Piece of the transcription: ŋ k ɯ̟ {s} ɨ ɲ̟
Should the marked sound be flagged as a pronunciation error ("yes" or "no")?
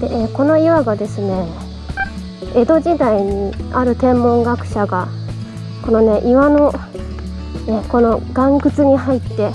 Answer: yes